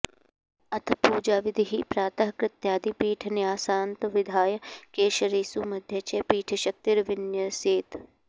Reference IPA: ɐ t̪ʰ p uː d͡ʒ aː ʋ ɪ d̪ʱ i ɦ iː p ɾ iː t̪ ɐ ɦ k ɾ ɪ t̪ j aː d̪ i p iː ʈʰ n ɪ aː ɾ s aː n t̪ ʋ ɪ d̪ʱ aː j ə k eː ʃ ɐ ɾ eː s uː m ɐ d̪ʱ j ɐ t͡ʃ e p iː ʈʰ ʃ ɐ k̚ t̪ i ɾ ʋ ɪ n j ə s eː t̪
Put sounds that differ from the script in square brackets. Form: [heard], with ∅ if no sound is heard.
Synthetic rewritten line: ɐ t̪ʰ p uː d͡ʒ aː ʋ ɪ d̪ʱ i ɦ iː p ɾ [aː] t̪ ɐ ɦ k ɾ ɪ t̪ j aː d̪ i p iː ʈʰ n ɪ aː [∅] s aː n t̪ ʋ ɪ d̪ʱ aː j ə k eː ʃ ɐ ɾ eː s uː m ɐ d̪ʱ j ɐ t͡ʃ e p iː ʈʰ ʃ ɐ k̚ t̪ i ɾ ʋ ɪ n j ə s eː t̪